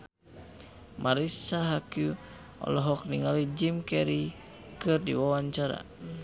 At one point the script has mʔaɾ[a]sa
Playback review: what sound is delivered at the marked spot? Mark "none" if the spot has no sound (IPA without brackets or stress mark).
i